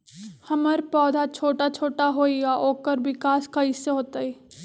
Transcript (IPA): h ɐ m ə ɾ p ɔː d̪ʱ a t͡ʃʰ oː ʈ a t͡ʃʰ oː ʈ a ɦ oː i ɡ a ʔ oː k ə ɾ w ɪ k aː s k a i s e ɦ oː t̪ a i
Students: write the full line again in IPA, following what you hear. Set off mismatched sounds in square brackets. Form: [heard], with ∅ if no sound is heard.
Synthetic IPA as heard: h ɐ m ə ɾ p ɔː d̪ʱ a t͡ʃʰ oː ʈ a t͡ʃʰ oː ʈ a ɦ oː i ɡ a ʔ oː k ə ɾ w ɪ k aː s k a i s e ɦ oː t̪ a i